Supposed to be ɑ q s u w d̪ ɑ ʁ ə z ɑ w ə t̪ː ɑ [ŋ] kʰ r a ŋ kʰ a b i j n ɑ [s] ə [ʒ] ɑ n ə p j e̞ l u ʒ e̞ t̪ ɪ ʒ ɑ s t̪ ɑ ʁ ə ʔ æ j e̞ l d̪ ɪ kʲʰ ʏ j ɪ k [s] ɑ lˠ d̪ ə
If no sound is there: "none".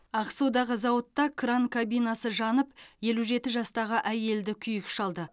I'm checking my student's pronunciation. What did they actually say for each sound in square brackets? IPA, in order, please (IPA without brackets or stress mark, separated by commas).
none, s, ʒ, ʃ